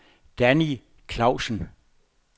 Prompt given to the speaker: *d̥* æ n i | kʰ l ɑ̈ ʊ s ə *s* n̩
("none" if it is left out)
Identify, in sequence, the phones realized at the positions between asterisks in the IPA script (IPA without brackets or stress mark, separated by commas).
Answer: d̥, none